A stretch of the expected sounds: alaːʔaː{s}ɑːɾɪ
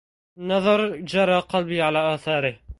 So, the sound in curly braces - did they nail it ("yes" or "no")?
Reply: no